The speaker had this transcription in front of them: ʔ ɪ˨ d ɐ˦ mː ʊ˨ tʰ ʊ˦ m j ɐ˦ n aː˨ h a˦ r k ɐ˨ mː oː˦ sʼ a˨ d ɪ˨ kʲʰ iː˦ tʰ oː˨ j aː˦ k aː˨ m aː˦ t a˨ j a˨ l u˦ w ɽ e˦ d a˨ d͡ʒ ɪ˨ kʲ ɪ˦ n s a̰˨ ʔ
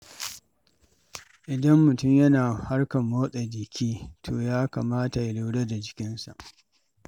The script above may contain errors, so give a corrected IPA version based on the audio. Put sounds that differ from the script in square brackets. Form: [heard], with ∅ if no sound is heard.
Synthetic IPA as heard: ʔ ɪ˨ d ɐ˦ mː ʊ˨ [t] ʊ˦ m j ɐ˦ n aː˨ h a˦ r k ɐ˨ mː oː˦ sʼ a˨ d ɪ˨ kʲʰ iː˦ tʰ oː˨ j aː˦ k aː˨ m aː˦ t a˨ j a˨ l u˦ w ɽ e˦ d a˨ d͡ʒ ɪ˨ kʲ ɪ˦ n s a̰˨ ʔ